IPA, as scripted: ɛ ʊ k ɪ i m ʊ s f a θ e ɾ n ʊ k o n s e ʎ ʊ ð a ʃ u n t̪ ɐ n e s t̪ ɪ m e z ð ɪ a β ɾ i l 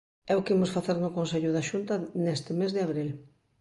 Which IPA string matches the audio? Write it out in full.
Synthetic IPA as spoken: ɛ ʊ k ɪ i m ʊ s f a θ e ɾ n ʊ k o n s e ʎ ʊ ð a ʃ u n t̪ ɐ n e s t̪ ɪ m e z ð ɪ a β ɾ i l